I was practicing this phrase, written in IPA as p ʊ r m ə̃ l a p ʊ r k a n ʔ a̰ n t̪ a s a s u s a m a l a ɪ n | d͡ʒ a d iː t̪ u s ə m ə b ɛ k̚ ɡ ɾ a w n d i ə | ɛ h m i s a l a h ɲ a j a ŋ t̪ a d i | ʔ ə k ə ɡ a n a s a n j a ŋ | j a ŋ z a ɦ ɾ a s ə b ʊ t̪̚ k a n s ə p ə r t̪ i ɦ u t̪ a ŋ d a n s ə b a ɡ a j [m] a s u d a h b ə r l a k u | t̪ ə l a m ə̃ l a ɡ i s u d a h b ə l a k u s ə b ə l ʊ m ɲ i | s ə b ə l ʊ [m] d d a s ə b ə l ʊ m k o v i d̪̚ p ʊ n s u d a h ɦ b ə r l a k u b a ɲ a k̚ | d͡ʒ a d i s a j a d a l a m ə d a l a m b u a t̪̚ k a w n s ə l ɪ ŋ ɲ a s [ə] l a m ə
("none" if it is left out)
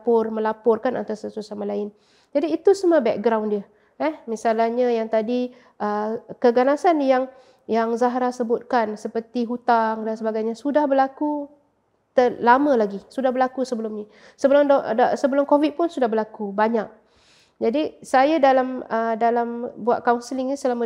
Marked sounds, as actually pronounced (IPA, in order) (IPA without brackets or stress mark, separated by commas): ɲ, m, ə